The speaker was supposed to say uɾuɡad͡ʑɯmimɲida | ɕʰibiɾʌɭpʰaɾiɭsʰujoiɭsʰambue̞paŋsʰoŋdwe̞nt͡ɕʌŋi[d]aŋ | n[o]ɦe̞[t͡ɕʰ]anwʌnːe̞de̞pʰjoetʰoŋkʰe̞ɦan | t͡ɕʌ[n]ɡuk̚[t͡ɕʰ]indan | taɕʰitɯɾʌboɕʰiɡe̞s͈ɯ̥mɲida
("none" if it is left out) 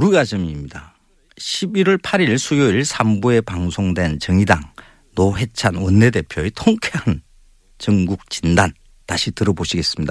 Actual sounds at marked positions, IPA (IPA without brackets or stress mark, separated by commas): d, o, t͡ɕʰ, ŋ, t͡ɕ